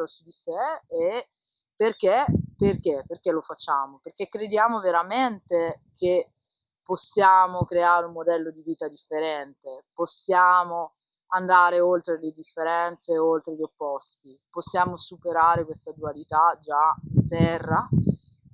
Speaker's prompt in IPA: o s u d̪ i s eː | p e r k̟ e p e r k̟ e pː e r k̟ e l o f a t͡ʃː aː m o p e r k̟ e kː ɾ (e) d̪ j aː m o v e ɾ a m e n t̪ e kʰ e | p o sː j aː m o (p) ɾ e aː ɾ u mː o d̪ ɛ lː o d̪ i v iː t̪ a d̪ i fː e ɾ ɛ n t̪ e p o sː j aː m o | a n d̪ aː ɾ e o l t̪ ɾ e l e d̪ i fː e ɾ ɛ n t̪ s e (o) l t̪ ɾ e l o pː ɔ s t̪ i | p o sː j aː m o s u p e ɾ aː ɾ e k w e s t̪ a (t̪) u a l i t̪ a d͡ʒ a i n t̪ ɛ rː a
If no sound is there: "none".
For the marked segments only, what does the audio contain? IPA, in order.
e, k, o, d̪

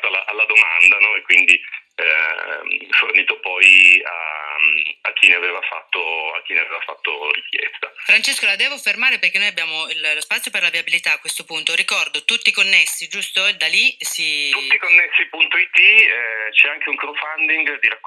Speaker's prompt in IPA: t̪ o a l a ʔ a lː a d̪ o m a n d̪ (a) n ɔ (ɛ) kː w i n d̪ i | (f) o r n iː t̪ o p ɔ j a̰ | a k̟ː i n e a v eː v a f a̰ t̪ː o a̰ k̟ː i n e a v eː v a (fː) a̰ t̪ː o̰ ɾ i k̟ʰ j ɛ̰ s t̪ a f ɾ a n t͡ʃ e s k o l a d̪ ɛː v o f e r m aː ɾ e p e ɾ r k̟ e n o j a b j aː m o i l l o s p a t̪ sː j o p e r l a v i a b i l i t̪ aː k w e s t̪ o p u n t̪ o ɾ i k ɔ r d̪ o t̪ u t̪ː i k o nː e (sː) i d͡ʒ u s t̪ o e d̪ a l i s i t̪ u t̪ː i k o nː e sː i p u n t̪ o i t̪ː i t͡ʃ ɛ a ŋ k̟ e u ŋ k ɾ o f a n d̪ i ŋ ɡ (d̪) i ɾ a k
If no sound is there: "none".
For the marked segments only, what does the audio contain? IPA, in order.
a, e, f, f, sː, d̪

